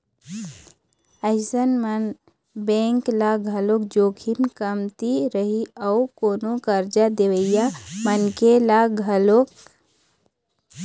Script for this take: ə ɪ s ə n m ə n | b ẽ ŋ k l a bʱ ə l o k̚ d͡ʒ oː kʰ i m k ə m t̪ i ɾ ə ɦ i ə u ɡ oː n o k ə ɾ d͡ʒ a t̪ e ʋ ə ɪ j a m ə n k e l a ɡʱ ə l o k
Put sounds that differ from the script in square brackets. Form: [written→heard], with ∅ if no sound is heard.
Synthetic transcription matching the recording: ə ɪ s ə n m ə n | b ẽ ŋ k l a [bʱ→ɡʱ] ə l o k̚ d͡ʒ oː kʰ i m k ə m t̪ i ɾ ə ɦ i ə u [ɡ→k] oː n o k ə ɾ d͡ʒ a [t̪→d̪] e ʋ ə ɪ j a m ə n k e l a ɡʱ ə l o k